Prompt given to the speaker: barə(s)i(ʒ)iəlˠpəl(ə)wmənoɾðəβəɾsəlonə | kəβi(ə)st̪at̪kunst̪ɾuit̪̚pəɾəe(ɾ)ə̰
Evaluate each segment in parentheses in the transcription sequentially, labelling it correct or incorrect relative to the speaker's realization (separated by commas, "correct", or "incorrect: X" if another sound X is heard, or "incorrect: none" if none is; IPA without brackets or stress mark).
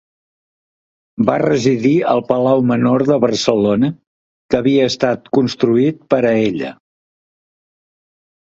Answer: incorrect: z, incorrect: ð, incorrect: a, incorrect: əː, incorrect: ʎ